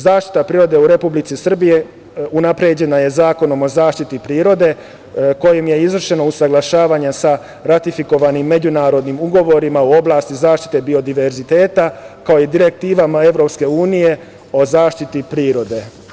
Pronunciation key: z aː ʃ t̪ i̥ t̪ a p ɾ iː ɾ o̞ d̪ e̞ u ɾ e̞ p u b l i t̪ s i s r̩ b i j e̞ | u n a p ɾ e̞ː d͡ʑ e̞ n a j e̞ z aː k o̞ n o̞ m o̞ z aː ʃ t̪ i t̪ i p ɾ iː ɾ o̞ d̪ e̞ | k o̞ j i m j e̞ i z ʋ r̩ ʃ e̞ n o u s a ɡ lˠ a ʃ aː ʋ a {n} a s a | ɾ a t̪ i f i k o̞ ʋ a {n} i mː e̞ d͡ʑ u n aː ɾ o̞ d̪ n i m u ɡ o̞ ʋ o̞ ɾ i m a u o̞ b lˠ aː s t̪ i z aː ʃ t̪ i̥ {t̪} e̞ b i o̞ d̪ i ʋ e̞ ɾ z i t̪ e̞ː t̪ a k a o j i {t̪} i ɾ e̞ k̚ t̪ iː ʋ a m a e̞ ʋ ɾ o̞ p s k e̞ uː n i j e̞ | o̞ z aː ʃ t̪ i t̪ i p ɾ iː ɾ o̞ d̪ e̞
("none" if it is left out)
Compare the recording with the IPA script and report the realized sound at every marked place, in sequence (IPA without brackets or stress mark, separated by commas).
ɲ, n, t̪, d̪